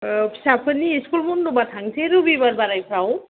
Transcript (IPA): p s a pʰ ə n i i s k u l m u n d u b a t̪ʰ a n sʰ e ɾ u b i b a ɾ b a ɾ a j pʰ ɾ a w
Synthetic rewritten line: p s a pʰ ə n i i s k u l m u n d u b a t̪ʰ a ŋ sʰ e ɾ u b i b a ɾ b a ɾ a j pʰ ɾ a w